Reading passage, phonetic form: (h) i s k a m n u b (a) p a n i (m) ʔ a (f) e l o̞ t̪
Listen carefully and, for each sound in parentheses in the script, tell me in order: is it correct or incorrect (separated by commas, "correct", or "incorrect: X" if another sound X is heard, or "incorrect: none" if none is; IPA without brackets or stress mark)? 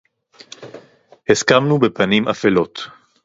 correct, incorrect: e, correct, correct